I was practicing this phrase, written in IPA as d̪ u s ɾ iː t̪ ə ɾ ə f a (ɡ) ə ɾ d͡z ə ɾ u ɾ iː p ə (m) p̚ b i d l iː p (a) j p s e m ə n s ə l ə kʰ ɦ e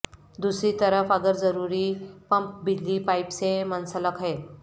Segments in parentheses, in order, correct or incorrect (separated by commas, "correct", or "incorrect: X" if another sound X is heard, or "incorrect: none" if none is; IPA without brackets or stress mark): correct, correct, correct